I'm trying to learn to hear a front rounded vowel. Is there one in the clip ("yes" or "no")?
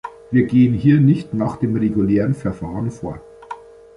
no